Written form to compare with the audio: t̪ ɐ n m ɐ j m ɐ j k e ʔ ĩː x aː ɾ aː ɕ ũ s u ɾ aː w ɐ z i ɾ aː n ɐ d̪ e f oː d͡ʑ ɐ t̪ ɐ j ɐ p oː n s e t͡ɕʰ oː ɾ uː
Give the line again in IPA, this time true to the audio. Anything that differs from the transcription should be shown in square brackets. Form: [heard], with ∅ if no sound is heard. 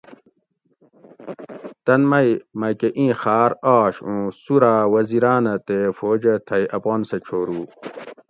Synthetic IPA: t̪ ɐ n m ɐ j m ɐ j k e ʔ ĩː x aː ɾ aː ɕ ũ s u ɾ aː w ɐ z i ɾ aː n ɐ [t̪] e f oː d͡ʑ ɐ [t̪ʰ] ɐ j ɐ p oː n s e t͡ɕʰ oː ɾ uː

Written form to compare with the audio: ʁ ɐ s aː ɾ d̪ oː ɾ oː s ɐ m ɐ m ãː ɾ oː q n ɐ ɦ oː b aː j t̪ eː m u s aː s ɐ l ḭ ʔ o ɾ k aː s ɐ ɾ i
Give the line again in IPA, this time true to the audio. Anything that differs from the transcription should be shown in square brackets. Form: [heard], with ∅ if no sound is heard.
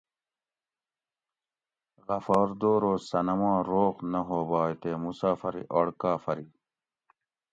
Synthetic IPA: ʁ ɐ [f] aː ɾ d̪ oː ɾ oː s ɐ [n] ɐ m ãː ɾ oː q n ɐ ɦ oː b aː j t̪ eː m u s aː [f] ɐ [ɾ] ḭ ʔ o [ɽ] k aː [f] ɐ ɾ i

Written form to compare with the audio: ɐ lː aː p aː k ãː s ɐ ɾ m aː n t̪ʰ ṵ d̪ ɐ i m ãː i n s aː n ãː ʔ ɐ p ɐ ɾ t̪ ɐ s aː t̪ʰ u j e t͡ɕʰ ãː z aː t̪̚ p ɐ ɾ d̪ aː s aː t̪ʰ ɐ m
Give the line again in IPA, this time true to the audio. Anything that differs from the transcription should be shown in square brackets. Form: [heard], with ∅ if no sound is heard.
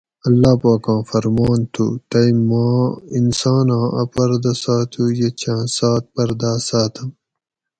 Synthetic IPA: ɐ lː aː p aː k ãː [f] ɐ ɾ m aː n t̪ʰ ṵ [t̪] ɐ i m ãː i n s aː n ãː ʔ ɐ p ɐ ɾ [d̪] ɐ s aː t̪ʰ u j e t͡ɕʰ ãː [s] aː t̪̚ p ɐ ɾ d̪ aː s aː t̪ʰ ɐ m

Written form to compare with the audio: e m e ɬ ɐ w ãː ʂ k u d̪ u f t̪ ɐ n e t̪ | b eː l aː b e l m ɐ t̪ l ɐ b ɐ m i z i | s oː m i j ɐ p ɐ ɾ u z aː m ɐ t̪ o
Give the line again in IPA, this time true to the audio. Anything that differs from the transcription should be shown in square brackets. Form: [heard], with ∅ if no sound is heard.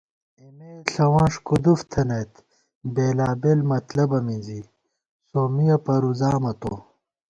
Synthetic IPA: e m e ɬ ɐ w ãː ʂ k u d̪ u f [t̪ʰ] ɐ n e t̪ | b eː l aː b e l m ɐ t̪ l ɐ b ɐ m i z i | s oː m i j ɐ p ɐ ɾ u z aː m ɐ t̪ o

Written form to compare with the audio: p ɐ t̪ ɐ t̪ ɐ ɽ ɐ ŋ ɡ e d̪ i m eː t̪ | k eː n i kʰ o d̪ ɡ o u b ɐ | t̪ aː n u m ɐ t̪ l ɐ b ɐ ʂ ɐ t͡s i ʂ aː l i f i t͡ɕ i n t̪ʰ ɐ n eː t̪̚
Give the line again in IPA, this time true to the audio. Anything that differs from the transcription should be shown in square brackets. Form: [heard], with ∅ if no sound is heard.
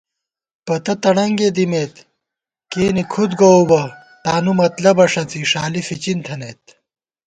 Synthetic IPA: p ɐ t̪ ɐ t̪ ɐ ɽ ɐ ŋ ɡ e d̪ i m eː t̪ | k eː n i kʰ [u] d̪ ɡ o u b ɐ | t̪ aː n u m ɐ t̪ l ɐ b ɐ ʂ ɐ t͡s i ʂ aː l i f i t͡ɕ i n t̪ʰ ɐ n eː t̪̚

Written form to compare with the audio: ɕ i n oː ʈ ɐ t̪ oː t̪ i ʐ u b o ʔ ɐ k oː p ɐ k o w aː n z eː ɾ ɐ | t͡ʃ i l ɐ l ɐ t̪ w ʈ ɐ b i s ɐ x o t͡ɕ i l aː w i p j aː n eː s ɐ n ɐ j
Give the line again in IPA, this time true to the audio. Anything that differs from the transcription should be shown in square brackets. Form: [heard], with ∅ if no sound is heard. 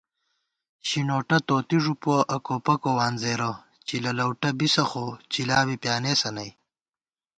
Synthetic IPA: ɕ i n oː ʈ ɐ t̪ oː t̪ i ʐ u [p] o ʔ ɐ k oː p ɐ k o w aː n z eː ɾ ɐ | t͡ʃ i l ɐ l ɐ [∅] w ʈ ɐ b i s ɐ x o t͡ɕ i l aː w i p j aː n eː s ɐ n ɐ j

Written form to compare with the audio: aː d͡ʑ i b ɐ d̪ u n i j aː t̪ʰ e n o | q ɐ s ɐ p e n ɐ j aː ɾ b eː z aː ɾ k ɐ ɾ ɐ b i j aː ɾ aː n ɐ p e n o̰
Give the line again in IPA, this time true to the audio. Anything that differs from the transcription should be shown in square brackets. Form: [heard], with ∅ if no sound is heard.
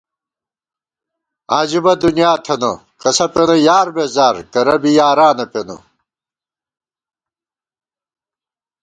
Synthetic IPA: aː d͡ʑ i b ɐ d̪ u n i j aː t̪ʰ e n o | [k] ɐ s ɐ p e n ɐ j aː ɾ b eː z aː ɾ k ɐ ɾ ɐ b i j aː ɾ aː n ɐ p e n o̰

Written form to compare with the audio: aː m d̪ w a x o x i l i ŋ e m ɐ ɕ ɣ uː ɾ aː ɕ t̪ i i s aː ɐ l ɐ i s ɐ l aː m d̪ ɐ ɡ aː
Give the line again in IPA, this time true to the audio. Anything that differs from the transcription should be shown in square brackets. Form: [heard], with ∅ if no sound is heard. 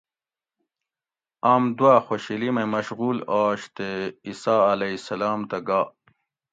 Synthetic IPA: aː m d̪ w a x o [ɕ] i l i [m] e m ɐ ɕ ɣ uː [l] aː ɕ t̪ [e] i s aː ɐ l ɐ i s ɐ l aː m [t̪] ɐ ɡ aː

